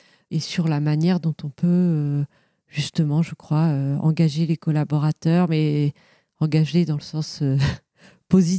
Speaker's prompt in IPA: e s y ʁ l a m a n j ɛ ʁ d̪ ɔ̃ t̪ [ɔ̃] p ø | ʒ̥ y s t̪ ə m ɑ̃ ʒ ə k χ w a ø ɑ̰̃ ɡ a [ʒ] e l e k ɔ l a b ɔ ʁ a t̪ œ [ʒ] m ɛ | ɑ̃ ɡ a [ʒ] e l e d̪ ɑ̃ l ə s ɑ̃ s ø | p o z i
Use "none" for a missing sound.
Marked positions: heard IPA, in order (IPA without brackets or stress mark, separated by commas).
ɔ̃, ʒ, ʁ, ʒ